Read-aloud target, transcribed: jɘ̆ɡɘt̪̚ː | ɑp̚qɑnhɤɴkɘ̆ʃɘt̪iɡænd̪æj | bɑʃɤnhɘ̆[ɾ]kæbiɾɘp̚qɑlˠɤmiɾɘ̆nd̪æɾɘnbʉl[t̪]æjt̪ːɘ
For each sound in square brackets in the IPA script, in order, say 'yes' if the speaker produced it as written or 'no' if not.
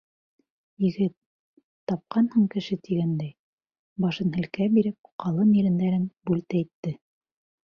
no, yes

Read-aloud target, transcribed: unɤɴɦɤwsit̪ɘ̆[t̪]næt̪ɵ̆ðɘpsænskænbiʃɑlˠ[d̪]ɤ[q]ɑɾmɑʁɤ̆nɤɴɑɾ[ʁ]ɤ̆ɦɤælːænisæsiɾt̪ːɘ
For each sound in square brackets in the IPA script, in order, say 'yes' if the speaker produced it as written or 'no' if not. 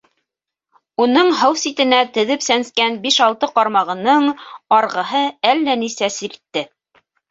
no, no, yes, yes

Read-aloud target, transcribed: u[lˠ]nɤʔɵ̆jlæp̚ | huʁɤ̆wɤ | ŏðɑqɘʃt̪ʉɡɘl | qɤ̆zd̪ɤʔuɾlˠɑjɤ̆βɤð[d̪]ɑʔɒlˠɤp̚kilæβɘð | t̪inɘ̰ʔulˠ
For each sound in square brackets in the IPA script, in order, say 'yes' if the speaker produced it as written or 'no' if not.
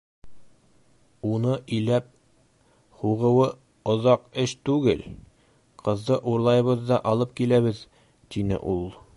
no, yes

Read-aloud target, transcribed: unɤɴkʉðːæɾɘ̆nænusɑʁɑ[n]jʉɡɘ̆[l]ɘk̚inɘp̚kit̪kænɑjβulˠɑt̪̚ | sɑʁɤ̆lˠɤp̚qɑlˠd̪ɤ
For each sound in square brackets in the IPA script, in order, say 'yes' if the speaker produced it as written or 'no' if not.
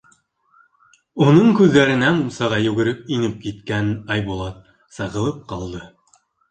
no, no

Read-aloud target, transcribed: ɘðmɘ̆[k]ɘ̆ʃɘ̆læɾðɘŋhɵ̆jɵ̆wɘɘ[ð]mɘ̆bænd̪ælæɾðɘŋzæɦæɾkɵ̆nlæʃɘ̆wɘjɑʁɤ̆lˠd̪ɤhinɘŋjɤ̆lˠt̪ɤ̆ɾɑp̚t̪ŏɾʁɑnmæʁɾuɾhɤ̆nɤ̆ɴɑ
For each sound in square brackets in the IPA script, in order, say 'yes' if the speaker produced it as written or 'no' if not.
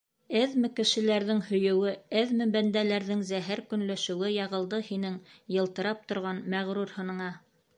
yes, yes

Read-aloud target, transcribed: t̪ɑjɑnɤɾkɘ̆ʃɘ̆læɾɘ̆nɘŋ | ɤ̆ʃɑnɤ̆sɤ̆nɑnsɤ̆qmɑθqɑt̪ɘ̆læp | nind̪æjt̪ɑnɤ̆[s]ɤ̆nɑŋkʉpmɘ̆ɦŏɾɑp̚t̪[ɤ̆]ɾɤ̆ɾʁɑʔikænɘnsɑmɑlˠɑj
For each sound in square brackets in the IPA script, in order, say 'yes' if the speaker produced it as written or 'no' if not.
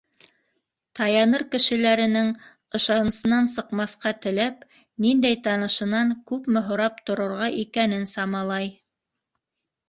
no, no

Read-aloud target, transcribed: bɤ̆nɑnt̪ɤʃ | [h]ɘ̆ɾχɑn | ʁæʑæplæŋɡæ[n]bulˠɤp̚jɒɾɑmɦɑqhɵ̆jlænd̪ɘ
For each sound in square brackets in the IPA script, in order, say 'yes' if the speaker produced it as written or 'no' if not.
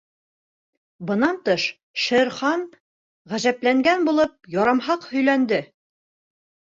no, yes

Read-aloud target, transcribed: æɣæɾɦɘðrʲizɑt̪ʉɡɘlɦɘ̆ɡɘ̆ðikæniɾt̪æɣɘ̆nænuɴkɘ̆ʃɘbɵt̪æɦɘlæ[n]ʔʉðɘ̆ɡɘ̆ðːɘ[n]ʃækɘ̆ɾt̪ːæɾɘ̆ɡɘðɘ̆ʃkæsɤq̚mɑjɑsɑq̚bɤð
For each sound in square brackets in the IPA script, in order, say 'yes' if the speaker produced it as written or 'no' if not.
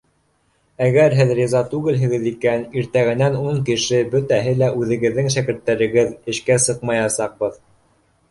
no, no

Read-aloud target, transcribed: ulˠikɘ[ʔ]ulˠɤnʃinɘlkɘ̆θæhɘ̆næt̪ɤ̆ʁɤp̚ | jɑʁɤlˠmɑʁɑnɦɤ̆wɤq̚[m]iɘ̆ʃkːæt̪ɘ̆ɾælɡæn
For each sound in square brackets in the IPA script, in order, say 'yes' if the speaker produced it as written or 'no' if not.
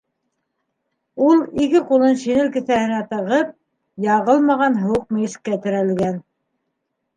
no, yes

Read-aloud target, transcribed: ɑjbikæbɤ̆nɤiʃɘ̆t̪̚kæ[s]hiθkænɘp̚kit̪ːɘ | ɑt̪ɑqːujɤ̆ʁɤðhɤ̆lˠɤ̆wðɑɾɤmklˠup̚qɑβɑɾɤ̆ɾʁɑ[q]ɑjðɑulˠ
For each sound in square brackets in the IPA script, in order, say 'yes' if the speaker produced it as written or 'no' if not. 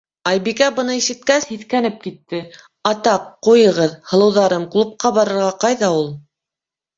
yes, yes

